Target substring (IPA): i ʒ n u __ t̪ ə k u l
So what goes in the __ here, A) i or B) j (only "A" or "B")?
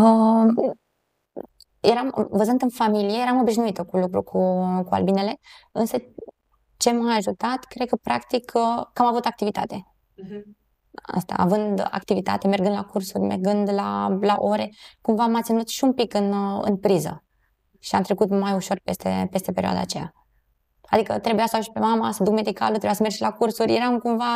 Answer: A